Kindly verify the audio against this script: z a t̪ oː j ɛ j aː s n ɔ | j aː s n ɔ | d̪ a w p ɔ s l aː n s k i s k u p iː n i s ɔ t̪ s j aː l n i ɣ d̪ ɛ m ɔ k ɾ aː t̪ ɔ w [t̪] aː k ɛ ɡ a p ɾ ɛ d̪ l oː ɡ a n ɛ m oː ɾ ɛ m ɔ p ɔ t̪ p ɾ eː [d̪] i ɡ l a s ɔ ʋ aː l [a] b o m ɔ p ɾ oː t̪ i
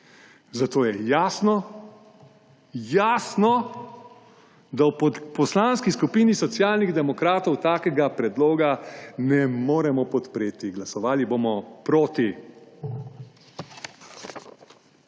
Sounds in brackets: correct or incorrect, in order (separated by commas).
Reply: correct, incorrect, incorrect